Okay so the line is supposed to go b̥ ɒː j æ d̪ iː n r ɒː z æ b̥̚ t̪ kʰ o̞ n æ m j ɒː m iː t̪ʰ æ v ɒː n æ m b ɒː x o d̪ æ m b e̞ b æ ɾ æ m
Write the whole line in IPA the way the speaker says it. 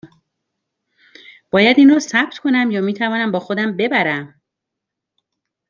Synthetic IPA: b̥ ɒː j æ d̪ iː n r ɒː s æ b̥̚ t̪ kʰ o̞ n æ m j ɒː m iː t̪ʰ æ v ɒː n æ m b ɒː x o d̪ æ m b e̞ b æ ɾ æ m